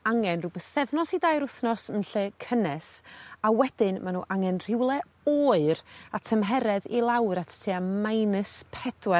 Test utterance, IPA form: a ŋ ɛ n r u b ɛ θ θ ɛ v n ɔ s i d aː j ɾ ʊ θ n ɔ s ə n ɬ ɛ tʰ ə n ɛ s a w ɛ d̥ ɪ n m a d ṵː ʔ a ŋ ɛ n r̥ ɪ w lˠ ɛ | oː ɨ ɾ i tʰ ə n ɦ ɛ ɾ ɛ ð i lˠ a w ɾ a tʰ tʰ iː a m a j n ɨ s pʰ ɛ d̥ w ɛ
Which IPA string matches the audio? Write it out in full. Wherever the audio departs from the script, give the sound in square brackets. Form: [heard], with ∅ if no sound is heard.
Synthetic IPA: a ŋ ɛ n r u b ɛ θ θ ɛ v n ɔ s i d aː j ɾ ʊ θ n ɔ s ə n ɬ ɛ [kʰ] ə n ɛ s a w ɛ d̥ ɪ n m a [n] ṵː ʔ a ŋ ɛ n r̥ ɪ w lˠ ɛ | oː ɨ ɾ [a] tʰ ə [m] ɦ ɛ ɾ ɛ ð i lˠ a w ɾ a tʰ tʰ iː a m a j n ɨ s pʰ ɛ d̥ w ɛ